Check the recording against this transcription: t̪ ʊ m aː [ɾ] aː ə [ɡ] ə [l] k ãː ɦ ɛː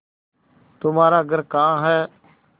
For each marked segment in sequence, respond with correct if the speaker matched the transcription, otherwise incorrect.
correct, correct, incorrect: ɾ

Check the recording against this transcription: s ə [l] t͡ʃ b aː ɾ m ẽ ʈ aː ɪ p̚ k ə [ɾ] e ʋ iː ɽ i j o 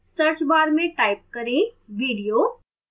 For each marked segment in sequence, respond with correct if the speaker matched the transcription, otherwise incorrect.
incorrect: ɾ, correct

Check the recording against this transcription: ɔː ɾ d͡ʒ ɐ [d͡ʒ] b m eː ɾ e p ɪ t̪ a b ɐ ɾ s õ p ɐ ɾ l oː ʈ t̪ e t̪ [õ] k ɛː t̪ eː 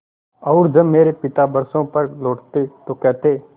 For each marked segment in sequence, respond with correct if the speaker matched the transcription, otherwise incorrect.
incorrect: none, incorrect: o

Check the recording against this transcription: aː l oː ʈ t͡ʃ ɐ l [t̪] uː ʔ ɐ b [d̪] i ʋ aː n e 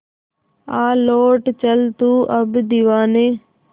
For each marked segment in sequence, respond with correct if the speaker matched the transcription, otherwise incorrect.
correct, correct

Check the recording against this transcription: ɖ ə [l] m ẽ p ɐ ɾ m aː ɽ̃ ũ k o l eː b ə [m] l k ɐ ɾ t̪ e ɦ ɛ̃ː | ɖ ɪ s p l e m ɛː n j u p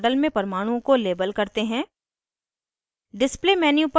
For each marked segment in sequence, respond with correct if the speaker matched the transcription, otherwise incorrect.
correct, incorrect: none

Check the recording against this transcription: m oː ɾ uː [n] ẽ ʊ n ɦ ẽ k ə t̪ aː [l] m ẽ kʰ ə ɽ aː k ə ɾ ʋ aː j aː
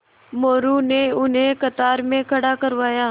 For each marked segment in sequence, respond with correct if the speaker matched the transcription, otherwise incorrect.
correct, incorrect: ɾ

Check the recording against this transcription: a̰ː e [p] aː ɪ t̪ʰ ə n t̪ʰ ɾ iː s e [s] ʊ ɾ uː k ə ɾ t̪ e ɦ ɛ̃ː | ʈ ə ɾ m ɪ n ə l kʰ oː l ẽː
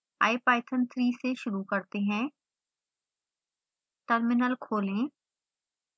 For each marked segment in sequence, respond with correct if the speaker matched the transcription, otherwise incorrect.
correct, incorrect: ʃ

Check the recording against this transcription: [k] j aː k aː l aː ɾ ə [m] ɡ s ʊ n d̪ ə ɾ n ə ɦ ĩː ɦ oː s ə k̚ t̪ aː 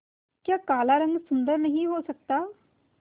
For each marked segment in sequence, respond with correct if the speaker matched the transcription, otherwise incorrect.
correct, incorrect: ŋ

